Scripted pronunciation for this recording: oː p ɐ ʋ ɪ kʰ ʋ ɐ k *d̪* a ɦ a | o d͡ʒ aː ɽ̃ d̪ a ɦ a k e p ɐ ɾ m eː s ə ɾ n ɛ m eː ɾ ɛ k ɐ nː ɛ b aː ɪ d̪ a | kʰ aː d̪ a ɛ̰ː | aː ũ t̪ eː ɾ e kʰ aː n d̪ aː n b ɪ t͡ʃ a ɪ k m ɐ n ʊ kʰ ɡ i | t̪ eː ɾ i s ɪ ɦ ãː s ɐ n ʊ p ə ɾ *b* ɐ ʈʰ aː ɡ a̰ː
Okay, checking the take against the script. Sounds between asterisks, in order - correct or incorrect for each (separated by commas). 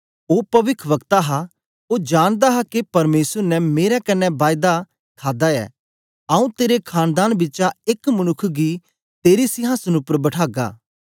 incorrect, correct